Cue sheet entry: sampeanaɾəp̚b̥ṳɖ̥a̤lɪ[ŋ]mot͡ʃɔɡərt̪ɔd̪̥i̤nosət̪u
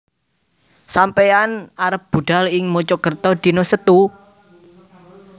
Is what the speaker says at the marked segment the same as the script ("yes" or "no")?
yes